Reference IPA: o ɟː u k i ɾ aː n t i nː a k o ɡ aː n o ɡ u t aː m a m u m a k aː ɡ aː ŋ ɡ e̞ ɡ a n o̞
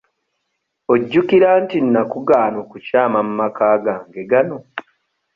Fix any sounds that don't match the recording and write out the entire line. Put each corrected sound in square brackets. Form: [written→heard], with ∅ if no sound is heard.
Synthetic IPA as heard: o ɟː u k i ɾ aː n t i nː a k [o→u] ɡ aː n o [ɡ→k] u [t→c] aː m a m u m a k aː ɡ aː ŋ ɡ e̞ ɡ a n o̞